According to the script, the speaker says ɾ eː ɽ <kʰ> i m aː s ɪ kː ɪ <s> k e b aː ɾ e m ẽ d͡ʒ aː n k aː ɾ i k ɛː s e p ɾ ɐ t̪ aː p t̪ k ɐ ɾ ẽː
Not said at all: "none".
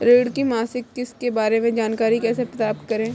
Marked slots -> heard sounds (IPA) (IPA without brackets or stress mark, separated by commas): k, s